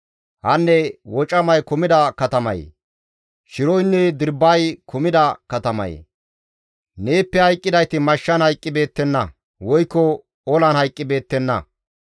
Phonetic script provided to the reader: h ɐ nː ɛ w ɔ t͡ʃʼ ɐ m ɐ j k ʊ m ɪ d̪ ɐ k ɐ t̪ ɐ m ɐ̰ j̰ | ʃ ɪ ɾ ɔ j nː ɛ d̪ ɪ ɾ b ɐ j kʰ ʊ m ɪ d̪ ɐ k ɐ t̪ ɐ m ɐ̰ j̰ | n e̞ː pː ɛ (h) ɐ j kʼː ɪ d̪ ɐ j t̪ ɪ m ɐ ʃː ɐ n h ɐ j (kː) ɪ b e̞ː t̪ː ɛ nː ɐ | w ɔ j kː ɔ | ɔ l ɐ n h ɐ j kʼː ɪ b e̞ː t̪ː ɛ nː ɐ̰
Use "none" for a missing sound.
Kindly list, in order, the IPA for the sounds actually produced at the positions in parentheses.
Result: h, kʼː

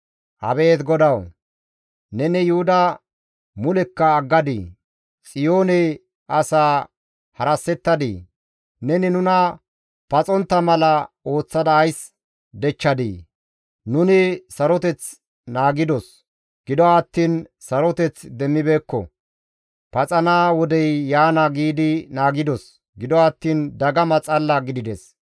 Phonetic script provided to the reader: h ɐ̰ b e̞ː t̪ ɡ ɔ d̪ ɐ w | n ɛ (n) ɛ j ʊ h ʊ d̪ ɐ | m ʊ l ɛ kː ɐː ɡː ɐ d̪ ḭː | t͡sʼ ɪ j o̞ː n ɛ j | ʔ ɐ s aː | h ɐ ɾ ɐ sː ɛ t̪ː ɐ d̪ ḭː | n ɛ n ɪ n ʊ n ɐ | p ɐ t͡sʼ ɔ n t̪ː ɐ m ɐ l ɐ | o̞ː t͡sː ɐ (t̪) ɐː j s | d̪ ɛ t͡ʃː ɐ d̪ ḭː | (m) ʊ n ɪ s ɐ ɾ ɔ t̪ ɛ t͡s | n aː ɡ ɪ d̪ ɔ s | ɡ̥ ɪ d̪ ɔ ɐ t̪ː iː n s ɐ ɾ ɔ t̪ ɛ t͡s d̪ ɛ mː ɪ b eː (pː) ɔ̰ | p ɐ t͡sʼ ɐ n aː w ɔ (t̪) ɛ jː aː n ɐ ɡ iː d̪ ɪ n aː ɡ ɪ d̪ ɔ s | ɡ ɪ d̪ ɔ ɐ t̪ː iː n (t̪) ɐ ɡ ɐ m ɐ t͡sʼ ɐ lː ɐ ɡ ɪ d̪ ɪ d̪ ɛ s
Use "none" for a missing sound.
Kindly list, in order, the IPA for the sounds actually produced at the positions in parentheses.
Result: n, d̪, n, kː, d̪, d̪

